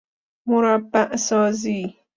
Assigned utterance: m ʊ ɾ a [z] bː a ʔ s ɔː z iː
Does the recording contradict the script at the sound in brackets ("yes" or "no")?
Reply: yes